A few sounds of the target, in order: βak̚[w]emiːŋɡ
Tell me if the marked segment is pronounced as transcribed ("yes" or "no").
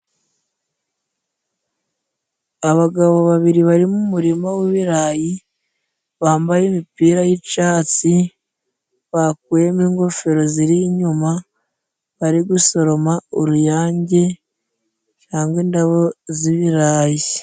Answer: yes